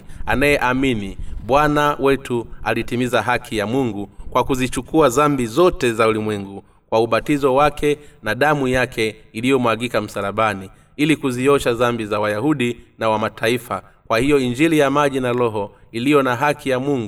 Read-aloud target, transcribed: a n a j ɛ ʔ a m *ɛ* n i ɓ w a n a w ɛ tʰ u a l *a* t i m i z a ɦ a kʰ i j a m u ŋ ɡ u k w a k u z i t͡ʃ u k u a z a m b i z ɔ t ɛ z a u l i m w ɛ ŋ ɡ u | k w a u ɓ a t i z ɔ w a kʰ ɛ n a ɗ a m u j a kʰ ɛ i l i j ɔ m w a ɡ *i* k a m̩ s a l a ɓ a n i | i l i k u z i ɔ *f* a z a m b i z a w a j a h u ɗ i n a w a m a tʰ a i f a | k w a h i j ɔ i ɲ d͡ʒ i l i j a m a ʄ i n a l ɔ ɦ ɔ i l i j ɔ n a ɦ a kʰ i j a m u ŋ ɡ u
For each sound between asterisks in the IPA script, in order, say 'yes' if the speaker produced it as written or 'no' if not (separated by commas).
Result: no, no, yes, no